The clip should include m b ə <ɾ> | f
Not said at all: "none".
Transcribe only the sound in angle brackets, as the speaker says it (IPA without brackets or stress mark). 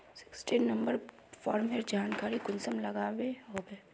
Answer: ɾ